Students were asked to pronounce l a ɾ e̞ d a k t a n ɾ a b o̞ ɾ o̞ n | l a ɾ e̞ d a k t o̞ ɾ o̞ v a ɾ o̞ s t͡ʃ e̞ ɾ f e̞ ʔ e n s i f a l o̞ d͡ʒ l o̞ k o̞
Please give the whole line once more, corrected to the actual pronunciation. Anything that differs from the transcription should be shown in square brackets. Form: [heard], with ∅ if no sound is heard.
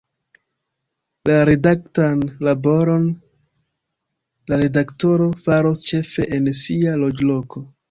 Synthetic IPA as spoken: l a ɾ e̞ d a k t a n [l] a b o̞ ɾ o̞ n | l a ɾ e̞ d a k t o̞ ɾ o̞ [f] a ɾ o̞ s t͡ʃ e̞ [∅] f e̞ ʔ e n s i [∅] a l o̞ d͡ʒ l o̞ k o̞